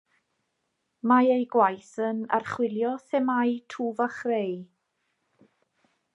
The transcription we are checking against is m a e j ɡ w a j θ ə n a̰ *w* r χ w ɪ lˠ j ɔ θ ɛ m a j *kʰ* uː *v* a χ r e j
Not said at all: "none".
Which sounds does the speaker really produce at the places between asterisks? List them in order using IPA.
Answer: none, tʰ, v

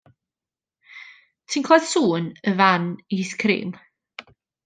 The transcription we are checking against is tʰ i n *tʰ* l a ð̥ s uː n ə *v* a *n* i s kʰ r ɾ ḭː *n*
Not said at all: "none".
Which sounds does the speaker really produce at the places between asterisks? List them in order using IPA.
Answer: kʰ, v, n, m

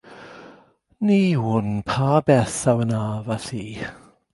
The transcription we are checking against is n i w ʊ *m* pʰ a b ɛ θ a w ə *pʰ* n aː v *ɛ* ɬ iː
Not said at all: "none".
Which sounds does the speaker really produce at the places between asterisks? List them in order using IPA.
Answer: n, none, a

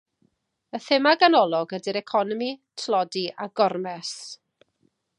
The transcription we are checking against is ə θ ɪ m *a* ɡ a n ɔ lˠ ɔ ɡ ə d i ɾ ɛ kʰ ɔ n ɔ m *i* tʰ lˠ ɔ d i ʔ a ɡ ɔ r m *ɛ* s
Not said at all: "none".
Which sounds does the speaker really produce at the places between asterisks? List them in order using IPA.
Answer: a, i, ɛ

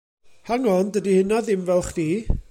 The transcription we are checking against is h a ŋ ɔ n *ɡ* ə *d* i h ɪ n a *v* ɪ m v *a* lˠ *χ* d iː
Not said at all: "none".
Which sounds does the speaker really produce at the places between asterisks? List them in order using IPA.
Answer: d, d, ð, ɛ, χ

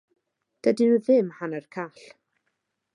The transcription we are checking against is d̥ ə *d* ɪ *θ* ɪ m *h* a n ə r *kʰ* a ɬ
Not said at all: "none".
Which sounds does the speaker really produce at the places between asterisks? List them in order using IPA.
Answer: d, ð, h, kʰ

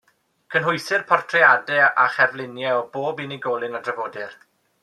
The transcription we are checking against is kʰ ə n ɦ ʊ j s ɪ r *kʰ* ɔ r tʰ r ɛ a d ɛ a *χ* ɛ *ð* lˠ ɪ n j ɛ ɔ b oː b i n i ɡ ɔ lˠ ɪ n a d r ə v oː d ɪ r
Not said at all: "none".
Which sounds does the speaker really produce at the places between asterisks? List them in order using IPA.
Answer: pʰ, χ, v

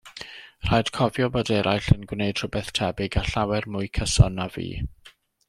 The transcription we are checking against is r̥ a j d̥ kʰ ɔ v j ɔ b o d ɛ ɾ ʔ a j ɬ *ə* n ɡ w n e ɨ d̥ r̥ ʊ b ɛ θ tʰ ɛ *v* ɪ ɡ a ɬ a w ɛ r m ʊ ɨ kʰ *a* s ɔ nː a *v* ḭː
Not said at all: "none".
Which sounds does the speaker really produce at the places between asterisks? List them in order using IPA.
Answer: ə, b, ə, v

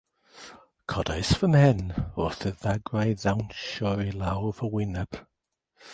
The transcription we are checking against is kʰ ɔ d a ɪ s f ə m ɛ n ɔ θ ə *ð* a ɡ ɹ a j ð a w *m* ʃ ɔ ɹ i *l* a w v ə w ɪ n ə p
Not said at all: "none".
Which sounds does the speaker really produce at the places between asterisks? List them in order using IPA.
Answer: ð, n, l

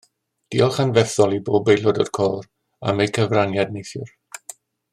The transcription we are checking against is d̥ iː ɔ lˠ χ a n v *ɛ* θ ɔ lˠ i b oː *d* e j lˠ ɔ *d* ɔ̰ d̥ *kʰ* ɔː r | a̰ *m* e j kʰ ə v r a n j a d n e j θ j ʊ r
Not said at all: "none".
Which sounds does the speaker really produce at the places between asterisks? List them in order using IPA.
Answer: ɛ, b, d, kʰ, m

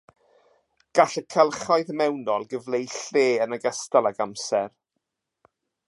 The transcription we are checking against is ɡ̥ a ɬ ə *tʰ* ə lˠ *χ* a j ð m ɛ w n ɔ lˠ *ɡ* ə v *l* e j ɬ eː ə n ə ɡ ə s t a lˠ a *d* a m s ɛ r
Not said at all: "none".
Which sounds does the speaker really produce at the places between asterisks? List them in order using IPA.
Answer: kʰ, χ, ɡ, l, ɡ

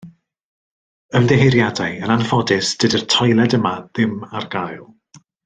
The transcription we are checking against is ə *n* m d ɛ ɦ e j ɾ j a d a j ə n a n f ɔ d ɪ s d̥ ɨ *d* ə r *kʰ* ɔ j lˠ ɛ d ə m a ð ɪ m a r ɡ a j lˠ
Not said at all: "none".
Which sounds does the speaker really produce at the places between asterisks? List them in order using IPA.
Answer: none, d, tʰ

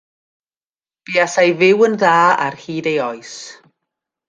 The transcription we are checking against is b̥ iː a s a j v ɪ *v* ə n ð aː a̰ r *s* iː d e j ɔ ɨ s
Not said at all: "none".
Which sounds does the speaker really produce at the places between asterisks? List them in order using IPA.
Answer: w, h

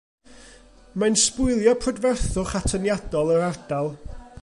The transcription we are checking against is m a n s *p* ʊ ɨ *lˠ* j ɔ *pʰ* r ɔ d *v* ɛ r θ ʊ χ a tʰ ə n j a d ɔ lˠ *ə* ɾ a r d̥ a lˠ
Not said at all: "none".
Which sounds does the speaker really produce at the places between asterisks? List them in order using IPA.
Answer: p, lˠ, pʰ, v, ə

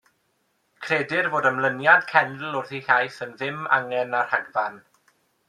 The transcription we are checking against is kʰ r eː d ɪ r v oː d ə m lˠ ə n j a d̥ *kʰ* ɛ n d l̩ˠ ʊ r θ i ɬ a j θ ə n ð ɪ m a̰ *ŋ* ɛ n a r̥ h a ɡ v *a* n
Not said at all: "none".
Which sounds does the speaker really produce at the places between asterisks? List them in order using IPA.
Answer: kʰ, ŋ, a

